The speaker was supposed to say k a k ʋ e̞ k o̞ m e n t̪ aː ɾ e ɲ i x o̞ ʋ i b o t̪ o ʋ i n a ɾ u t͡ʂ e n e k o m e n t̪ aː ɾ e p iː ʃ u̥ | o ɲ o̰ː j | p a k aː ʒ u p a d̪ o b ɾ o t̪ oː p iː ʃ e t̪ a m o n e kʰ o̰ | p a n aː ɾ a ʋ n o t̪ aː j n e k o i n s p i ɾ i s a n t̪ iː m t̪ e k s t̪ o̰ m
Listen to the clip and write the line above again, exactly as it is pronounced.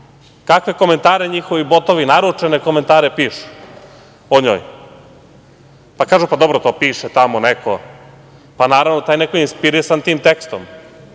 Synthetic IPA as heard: k a k ʋ e̞ k o̞ m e n t̪ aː ɾ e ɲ i x o̞ ʋ i b o t̪ o ʋ i n a ɾ u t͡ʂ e n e k o m e n t̪ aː ɾ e p iː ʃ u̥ | o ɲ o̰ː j | p a k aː ʒ u p a d̪ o b ɾ o t̪ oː p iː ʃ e t̪ a m o n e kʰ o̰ | p a n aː ɾ a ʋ n o t̪ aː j n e k o i n s p i ɾ i s a n t̪ iː m t̪ e k s t̪ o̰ m